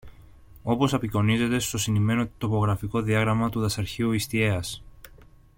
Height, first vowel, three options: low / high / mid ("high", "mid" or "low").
mid